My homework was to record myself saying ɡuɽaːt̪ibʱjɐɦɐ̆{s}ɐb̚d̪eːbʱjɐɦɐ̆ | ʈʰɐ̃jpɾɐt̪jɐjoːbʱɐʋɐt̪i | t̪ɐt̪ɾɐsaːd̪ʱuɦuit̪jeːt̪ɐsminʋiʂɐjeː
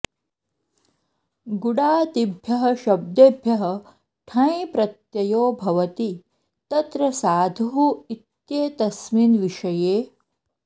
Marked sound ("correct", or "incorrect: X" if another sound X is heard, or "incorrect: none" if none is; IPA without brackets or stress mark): incorrect: ʃ